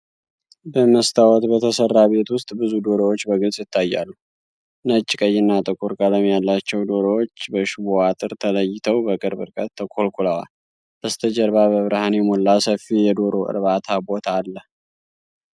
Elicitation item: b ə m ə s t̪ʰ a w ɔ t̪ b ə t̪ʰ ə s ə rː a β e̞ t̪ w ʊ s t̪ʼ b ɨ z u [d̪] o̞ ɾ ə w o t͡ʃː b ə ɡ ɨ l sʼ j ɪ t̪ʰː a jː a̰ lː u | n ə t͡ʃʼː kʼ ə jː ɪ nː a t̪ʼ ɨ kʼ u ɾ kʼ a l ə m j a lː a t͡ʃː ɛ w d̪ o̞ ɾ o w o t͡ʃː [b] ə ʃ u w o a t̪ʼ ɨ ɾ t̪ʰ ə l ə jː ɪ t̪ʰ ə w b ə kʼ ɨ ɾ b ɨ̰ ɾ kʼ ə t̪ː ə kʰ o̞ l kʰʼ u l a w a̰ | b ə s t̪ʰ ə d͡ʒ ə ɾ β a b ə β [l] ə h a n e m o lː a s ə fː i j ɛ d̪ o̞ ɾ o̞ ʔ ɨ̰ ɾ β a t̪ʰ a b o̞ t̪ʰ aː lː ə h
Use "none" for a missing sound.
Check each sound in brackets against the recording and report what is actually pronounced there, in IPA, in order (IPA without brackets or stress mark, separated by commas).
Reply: d̪, b, ɾ